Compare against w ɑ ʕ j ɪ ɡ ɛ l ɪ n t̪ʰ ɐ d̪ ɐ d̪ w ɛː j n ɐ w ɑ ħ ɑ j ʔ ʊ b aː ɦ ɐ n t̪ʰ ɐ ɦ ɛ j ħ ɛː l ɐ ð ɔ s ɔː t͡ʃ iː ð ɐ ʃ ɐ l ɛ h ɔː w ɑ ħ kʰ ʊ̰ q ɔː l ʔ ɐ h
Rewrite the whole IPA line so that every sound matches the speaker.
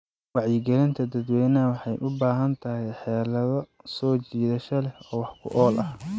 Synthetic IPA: w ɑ ʕ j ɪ ɡ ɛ l ɪ n t̪ʰ ɐ d̪ ɐ d̪ w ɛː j n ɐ w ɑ ħ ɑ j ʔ ʊ b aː ɦ ɐ n t̪ʰ ɐ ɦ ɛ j ħ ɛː l ɐ ð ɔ s ɔː t͡ʃ iː ð ɐ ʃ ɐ l ɛ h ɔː w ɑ ħ kʰ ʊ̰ ʔ ɔː l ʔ ɐ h